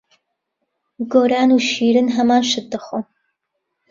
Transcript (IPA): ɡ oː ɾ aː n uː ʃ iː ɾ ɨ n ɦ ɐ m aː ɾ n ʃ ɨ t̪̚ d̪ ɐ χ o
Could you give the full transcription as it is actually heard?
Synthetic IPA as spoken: ɡ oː ɾ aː n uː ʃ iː ɾ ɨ n ɦ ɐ m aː n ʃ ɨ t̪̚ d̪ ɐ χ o